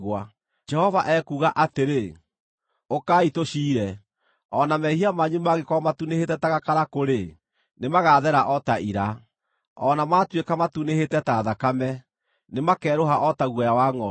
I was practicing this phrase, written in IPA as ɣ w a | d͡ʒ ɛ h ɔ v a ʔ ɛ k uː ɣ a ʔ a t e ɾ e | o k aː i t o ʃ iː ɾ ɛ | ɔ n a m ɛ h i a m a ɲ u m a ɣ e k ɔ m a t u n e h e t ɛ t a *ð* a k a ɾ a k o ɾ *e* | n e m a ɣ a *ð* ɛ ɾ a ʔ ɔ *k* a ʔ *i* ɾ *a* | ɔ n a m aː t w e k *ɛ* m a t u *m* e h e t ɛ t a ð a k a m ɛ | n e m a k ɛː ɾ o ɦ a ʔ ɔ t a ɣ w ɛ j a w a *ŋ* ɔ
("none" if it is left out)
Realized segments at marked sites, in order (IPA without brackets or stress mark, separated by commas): ɣ, e, ð, t, i, a, a, n, ŋ